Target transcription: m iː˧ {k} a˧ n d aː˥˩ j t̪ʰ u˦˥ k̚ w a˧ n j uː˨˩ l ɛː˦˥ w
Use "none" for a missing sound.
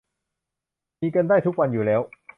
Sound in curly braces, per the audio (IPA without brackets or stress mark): k